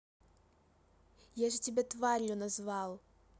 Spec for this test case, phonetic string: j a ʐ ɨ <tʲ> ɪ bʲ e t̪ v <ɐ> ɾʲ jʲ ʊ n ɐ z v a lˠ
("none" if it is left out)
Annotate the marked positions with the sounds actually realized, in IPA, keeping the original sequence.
tʲ, a

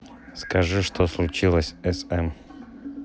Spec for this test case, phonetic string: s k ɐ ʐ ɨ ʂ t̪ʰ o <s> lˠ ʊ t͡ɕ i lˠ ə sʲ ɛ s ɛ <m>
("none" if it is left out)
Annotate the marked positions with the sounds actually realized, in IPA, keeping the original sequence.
s, m

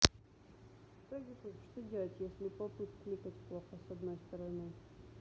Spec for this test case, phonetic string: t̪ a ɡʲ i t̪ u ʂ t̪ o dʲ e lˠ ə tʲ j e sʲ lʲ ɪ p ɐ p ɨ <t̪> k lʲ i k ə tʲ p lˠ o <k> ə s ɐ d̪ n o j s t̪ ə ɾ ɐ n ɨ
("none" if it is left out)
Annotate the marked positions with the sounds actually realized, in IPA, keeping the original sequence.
t̪, x

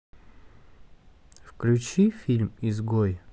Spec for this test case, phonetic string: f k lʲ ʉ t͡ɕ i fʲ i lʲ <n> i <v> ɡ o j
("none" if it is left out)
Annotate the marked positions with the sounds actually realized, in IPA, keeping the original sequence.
m, z

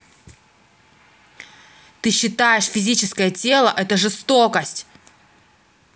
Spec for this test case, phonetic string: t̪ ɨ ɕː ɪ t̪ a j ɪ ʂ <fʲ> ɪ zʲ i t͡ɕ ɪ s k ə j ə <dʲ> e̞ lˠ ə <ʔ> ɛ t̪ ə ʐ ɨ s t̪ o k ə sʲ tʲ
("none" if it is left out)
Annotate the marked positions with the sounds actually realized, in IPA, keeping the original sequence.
fʲ, tʲ, ʔ

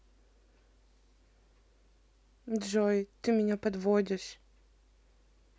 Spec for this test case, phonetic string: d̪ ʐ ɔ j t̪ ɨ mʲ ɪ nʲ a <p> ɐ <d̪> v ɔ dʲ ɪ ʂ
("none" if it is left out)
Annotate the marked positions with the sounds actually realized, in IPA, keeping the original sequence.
p, d̪

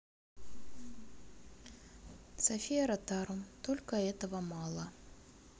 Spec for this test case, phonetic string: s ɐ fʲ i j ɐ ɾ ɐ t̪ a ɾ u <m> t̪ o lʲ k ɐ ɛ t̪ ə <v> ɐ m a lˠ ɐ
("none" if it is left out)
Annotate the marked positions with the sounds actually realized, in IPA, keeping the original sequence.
m, v

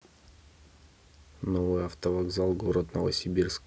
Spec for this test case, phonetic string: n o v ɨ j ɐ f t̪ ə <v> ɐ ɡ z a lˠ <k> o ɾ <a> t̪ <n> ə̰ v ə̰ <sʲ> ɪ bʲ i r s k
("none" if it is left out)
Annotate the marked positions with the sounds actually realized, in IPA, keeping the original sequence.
v, ɡ, ə, n, sʲ

